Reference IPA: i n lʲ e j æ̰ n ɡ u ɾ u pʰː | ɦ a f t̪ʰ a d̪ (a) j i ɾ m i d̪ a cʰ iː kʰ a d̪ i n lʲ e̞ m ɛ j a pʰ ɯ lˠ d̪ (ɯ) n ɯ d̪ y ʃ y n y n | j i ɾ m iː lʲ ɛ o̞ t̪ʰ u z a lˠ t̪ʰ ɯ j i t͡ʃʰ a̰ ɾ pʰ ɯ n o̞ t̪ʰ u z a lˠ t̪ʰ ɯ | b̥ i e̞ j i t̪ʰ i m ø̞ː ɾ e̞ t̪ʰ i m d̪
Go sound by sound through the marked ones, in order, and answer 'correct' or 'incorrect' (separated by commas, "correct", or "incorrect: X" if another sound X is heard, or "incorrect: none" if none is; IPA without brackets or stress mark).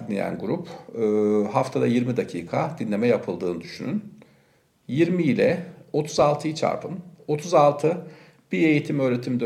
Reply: correct, incorrect: ɯː